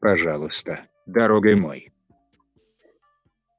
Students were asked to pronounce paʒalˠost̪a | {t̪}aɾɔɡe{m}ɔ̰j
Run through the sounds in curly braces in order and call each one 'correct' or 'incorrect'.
incorrect: d̪, correct

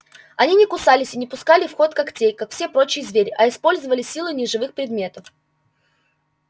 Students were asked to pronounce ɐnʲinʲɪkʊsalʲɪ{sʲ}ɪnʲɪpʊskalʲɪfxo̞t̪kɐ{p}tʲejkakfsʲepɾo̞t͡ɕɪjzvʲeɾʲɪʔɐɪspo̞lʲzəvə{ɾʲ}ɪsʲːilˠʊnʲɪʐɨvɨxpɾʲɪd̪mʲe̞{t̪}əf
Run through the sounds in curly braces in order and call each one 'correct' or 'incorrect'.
correct, incorrect: k, incorrect: lʲ, correct

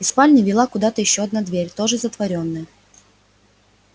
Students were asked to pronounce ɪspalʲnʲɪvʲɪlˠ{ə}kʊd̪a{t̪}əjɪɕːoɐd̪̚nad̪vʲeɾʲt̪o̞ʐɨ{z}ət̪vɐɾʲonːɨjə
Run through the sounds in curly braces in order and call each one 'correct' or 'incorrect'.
incorrect: a, correct, correct

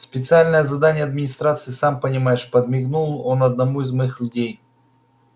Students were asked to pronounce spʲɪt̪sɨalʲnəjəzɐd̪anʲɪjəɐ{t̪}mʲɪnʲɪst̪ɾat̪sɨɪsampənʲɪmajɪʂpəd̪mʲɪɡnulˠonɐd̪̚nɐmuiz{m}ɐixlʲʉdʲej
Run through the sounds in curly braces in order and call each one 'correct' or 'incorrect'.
incorrect: d̪, correct

